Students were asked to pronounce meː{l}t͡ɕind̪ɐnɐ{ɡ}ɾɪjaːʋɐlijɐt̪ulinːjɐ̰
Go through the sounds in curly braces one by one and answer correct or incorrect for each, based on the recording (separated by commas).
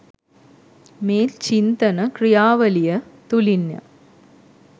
correct, incorrect